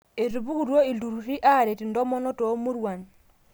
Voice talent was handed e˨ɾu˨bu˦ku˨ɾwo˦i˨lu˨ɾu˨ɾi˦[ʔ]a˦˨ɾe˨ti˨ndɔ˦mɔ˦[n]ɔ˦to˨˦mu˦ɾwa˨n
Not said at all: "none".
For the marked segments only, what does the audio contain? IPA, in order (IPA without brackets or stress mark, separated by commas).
ʔ, n